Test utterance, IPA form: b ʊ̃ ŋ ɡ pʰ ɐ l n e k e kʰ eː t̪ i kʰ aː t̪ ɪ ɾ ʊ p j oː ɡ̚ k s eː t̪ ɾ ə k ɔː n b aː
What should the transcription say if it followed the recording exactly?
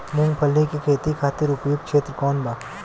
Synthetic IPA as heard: m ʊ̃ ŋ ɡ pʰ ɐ l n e k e kʰ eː t̪ i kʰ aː t̪ ɪ ɾ ʊ p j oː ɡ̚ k ʃ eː t̪ ɾ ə k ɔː n b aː